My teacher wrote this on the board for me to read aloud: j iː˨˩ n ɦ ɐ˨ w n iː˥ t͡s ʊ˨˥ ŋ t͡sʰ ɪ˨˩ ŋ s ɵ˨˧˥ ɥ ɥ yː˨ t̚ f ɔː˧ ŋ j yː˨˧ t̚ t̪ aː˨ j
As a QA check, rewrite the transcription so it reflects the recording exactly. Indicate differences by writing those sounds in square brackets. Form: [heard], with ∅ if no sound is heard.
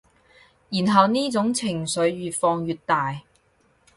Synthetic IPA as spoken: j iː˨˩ n ɦ ɐ˨ w n iː˥ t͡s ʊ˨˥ ŋ t͡sʰ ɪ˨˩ ŋ s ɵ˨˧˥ ɥ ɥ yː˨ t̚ f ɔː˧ ŋ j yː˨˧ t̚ t̪ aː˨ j